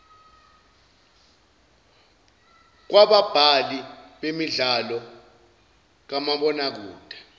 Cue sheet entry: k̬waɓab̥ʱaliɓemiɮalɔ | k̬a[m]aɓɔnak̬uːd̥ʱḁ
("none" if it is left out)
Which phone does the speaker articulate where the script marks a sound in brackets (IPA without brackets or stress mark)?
m